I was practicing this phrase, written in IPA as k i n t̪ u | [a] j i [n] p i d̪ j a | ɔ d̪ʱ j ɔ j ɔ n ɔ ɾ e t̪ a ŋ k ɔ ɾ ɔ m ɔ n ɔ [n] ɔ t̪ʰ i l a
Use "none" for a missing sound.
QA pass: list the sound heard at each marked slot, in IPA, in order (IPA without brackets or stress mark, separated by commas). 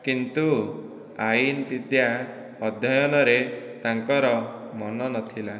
a, n, n